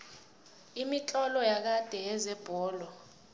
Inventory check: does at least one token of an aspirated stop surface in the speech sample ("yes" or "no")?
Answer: no